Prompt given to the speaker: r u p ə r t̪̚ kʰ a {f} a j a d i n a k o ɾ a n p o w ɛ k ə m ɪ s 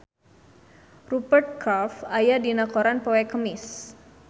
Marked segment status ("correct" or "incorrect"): correct